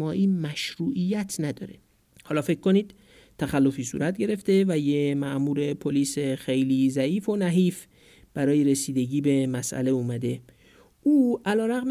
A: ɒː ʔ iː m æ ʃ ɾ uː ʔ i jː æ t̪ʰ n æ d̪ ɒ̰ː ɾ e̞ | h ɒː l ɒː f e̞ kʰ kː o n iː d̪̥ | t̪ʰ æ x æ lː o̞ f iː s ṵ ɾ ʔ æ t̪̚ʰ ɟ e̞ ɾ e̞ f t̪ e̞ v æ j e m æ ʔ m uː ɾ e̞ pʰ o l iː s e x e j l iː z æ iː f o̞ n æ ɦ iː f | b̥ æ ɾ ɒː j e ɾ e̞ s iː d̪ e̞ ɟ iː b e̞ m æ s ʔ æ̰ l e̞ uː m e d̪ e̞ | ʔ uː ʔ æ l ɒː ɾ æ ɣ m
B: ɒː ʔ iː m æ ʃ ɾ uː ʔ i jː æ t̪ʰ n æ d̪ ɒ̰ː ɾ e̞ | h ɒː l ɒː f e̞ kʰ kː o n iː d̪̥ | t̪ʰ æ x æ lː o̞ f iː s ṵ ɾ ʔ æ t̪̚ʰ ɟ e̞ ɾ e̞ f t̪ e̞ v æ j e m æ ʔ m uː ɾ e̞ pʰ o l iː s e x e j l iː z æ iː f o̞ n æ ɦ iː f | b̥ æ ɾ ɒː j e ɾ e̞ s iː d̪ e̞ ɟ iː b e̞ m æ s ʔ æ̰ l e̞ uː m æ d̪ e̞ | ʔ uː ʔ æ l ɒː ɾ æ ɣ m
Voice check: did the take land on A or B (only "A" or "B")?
B